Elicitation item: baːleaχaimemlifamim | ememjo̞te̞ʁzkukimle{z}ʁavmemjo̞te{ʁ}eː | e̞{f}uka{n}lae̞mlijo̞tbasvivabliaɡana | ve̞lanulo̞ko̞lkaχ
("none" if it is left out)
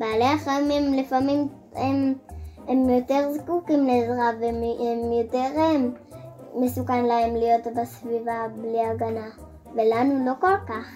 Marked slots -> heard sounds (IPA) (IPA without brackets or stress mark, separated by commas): z, ʁ, s, n